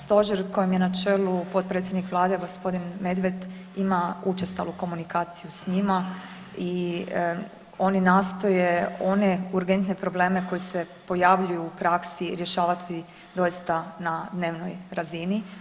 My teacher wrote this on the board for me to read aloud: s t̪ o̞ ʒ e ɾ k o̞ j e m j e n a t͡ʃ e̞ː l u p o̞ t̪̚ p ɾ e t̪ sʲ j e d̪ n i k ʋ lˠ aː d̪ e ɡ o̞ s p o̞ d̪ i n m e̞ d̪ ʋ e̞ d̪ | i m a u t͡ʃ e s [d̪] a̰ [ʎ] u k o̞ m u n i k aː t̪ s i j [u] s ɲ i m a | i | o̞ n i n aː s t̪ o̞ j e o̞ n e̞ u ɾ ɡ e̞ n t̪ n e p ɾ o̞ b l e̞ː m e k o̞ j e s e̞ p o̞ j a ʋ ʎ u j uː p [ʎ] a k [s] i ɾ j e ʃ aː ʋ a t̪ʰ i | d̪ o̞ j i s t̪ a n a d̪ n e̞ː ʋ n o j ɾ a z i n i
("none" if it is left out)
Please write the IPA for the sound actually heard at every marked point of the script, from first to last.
t̪, l, u, ɾ, s

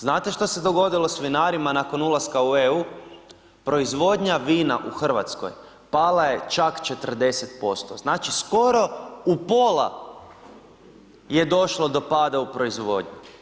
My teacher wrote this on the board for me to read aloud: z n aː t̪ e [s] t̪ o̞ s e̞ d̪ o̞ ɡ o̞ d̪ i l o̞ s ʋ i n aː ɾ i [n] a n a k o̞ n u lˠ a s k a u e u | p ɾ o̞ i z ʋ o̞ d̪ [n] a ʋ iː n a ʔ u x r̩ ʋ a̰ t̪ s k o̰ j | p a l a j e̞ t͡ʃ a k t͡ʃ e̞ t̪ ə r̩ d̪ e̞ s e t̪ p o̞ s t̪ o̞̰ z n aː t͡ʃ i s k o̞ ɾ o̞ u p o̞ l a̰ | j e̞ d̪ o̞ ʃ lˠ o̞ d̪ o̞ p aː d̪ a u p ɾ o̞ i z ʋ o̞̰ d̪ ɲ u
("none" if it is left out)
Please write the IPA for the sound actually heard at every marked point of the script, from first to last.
ʃ, m, ɲ

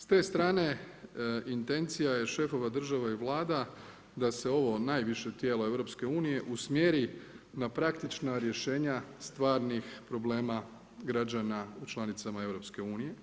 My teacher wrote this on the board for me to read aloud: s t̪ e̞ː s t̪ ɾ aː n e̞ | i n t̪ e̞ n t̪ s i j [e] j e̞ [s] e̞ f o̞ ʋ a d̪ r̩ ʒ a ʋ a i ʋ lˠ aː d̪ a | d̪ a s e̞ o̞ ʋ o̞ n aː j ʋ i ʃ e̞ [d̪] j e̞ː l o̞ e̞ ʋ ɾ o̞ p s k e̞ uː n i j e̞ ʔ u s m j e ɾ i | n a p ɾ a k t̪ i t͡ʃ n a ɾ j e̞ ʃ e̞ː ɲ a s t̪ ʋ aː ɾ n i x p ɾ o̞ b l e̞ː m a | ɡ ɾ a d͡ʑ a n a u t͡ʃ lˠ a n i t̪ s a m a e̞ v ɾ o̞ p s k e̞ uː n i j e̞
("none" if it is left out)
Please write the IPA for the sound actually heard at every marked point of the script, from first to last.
a, ʃ, t̪

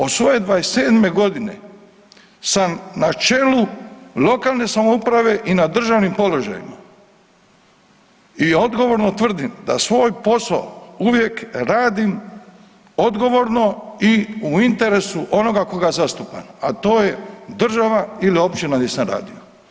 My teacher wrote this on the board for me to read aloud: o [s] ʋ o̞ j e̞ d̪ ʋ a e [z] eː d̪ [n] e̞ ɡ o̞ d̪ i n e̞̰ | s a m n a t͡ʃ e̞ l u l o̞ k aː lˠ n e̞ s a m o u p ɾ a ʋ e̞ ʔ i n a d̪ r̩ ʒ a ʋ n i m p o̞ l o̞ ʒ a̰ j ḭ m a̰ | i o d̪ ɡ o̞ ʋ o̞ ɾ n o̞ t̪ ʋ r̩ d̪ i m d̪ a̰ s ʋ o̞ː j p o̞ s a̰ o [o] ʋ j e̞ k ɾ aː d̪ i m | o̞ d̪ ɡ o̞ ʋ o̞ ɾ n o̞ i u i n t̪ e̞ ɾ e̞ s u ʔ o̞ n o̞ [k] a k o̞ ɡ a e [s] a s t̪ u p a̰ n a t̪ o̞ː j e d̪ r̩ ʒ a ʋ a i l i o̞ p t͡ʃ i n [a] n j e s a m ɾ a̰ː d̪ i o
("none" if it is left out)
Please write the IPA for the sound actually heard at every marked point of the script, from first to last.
s, s, m, u, ɡ, z, a

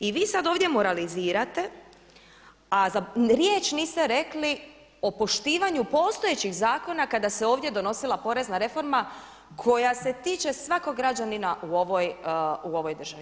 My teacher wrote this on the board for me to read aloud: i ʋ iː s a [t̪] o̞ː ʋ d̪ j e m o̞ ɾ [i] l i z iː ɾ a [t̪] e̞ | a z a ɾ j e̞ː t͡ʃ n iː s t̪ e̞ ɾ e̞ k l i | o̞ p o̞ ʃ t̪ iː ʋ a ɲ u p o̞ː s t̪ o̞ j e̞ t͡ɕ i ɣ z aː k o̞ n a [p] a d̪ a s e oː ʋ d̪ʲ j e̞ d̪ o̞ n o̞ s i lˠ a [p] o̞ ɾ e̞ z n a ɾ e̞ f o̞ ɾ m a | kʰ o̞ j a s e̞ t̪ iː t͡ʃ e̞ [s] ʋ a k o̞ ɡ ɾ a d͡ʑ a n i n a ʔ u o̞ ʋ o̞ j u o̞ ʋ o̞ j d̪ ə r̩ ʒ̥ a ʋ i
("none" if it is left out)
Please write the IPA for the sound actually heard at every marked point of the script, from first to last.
d̪, a, t̪, k, p, s

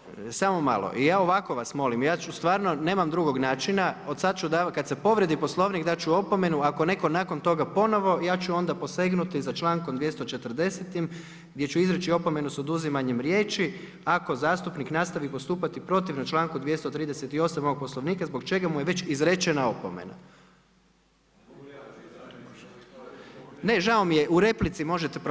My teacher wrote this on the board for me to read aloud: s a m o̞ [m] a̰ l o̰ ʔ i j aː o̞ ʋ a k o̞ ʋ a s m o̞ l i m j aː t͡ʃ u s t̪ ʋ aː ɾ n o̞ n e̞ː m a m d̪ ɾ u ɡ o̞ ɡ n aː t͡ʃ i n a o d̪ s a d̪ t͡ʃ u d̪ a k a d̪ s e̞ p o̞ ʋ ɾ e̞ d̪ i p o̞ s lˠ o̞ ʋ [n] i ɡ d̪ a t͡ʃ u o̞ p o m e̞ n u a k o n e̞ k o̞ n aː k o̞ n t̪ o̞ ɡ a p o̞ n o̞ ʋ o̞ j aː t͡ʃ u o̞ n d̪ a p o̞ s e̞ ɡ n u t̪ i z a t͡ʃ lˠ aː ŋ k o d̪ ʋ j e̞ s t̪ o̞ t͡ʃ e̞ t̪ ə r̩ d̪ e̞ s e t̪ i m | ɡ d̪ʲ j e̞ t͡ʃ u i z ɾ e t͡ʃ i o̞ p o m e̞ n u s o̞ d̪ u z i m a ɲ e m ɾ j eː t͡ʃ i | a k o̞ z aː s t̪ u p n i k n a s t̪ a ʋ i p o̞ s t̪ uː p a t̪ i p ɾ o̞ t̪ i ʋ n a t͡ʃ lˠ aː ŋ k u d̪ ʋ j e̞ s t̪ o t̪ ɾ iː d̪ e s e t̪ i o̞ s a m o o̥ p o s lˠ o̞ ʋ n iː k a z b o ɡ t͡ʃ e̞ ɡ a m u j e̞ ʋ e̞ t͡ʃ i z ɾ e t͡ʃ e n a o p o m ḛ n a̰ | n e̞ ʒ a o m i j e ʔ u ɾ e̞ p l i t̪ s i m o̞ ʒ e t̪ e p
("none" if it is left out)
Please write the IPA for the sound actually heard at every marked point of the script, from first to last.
m, n

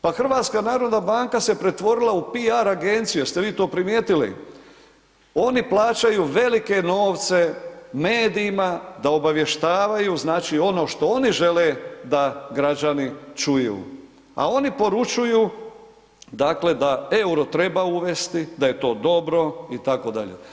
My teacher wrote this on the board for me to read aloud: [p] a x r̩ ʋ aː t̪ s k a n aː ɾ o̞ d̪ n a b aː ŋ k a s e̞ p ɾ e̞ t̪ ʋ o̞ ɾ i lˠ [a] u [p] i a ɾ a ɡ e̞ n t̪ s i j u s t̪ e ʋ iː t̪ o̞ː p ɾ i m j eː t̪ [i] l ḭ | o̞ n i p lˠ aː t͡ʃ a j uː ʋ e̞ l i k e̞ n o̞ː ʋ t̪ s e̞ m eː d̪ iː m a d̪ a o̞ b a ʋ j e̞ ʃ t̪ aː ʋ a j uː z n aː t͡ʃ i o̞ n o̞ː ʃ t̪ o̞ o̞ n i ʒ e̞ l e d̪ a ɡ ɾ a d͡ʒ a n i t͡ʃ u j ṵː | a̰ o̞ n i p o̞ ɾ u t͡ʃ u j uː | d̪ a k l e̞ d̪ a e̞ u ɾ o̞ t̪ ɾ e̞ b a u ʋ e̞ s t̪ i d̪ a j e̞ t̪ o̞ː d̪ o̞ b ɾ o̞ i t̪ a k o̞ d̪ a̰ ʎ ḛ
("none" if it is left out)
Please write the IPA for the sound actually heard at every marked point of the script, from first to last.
p, a, p, i

